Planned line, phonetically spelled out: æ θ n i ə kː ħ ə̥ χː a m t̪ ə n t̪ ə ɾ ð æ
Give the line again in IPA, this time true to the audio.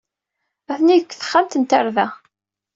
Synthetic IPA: æ θ n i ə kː θ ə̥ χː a m t̪ ə n t̪ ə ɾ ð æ